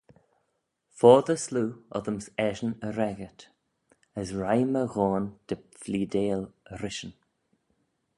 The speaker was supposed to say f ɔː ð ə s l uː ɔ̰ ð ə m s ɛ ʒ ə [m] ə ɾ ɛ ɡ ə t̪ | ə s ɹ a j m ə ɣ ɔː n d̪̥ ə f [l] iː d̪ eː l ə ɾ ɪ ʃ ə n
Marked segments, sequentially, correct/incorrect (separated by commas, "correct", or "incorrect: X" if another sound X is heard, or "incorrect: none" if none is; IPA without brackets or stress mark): incorrect: n, correct